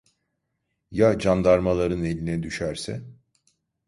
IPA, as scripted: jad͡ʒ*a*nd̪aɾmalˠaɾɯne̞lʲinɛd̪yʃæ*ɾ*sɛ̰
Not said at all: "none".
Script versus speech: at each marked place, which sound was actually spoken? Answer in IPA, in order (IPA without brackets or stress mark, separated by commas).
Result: a, ɾ